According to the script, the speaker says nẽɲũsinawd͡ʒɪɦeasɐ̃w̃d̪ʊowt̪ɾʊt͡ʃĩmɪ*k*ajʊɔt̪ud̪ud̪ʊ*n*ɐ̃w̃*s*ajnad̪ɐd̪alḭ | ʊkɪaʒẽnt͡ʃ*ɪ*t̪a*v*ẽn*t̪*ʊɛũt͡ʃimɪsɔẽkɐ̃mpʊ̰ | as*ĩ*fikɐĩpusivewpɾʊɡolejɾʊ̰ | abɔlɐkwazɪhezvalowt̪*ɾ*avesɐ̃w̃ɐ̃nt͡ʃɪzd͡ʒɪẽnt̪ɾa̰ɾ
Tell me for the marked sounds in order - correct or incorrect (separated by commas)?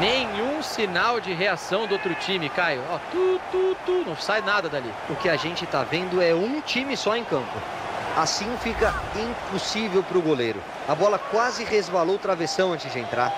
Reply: correct, correct, correct, correct, correct, incorrect, correct, correct